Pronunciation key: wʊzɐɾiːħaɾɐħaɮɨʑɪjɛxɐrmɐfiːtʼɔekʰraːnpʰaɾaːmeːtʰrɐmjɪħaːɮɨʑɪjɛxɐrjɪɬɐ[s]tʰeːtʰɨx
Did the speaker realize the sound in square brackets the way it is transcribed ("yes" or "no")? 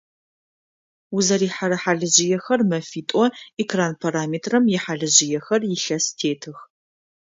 yes